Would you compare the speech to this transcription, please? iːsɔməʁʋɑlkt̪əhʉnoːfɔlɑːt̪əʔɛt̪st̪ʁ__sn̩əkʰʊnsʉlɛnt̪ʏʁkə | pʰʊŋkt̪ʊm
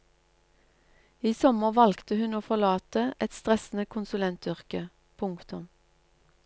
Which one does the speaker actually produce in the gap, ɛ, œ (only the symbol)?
ɛ